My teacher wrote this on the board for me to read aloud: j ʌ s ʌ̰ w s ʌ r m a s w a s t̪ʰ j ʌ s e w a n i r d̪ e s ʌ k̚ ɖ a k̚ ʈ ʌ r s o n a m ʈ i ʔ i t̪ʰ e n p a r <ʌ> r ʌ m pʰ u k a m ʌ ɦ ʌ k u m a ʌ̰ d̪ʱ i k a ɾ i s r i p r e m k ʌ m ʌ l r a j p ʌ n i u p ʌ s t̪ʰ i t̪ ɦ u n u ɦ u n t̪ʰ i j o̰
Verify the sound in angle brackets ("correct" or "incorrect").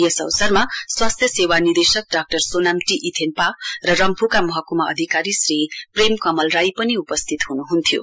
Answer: correct